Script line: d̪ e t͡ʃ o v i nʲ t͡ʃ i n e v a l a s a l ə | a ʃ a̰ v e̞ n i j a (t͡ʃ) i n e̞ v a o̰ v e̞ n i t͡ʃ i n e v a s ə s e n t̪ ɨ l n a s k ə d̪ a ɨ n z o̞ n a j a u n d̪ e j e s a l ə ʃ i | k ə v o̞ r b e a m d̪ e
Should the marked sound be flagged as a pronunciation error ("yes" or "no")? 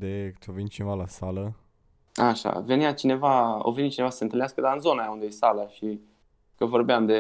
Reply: no